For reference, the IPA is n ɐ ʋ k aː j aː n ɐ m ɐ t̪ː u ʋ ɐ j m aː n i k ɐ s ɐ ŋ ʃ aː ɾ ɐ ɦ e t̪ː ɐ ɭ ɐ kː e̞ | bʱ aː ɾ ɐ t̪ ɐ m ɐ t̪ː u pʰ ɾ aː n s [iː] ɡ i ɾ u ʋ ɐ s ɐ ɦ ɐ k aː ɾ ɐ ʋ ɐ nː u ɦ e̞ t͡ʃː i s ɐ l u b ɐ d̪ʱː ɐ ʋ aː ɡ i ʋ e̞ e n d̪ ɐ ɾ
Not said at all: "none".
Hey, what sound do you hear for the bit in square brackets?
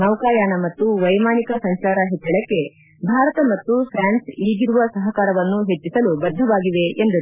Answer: iː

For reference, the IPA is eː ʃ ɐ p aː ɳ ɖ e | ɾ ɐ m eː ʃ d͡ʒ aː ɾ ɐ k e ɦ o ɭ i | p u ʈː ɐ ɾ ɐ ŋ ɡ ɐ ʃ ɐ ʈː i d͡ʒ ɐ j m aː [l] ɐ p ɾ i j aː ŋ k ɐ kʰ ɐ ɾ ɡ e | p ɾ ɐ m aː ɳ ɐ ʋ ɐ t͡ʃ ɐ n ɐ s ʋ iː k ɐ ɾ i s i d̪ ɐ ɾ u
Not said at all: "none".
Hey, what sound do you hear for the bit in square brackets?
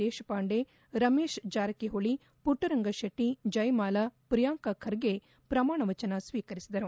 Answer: l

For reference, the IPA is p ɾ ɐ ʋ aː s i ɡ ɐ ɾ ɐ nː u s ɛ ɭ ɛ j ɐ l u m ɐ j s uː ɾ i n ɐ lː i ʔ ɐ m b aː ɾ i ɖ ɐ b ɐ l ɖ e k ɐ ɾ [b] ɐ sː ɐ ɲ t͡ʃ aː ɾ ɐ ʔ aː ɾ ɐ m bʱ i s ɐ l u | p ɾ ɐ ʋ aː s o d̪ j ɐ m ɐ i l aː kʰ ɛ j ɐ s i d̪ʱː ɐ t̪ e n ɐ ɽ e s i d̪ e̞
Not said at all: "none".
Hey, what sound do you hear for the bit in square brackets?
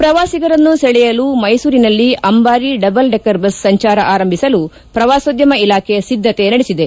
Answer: b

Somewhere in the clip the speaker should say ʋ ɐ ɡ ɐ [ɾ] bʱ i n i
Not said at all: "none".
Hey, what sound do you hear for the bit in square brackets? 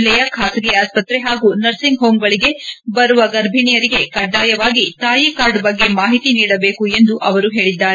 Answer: ɾ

